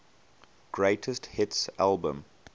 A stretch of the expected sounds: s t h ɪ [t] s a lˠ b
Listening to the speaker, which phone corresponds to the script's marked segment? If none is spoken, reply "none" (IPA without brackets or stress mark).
t